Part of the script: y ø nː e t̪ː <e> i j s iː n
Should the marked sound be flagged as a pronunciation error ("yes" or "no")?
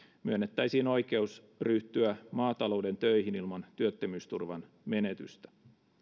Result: yes